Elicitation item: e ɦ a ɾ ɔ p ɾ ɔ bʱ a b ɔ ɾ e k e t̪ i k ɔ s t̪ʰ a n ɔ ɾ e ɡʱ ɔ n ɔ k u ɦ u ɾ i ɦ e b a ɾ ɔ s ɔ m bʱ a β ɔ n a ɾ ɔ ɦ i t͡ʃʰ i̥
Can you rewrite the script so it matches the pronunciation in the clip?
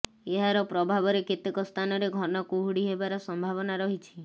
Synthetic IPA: e ɦ a ɾ ɔ p ɾ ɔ bʱ a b ɔ ɾ e k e t̪ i k ɔ s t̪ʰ a n ɔ ɾ e ɡʱ ɔ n ɔ k u ɦ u ɽ i ɦ e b a ɾ ɔ s ɔ m bʱ a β ɔ n a ɾ ɔ ɦ i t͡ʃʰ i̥